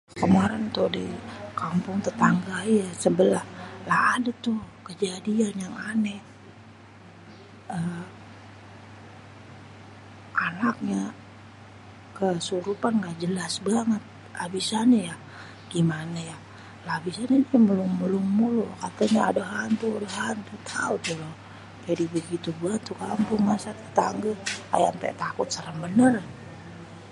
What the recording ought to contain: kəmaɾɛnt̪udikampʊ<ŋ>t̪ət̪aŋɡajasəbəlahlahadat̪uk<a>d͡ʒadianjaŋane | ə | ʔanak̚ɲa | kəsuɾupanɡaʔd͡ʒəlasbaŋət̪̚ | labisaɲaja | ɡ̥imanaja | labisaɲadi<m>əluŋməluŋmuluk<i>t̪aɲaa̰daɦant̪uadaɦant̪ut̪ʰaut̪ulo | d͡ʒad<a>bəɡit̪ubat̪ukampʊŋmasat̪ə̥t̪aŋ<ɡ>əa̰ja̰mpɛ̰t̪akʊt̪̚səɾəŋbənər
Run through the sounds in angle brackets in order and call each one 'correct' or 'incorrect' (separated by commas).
correct, incorrect, correct, incorrect, incorrect, correct